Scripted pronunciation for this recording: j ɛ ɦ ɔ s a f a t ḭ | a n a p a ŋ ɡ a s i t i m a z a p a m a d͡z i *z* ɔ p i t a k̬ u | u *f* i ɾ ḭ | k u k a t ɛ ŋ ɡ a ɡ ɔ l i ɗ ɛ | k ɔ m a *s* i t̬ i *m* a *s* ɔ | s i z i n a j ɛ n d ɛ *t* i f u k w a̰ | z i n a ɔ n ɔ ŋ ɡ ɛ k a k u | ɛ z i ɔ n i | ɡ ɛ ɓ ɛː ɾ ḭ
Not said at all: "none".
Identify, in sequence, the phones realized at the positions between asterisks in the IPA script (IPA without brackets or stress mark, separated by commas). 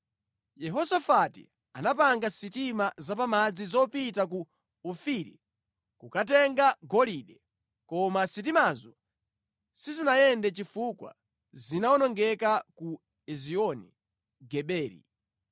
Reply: z, f, s, m, z, t͡ʃ